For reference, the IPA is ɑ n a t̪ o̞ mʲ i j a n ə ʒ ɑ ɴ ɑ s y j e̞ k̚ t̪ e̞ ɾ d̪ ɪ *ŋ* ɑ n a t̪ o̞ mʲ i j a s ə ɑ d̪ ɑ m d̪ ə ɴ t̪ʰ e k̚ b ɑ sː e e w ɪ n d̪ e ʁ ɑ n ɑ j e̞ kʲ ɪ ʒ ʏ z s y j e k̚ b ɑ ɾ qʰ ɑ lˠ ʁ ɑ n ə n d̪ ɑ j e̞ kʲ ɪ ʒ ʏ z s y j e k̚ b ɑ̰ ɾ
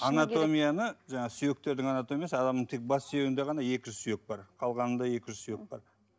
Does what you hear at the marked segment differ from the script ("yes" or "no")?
no